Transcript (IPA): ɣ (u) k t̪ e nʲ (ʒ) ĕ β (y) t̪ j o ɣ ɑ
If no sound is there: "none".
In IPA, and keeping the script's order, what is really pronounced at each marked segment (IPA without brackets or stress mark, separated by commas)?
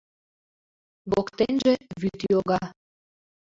o, ʒ, y